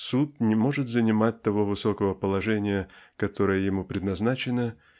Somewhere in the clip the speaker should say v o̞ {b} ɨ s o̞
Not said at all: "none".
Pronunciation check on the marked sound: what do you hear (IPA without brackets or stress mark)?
v